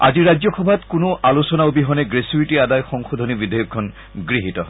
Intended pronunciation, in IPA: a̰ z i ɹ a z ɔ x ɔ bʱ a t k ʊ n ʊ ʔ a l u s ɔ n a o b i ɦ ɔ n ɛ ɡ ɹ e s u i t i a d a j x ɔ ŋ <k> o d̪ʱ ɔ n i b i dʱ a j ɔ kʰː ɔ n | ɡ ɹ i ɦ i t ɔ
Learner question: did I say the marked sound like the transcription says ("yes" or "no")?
no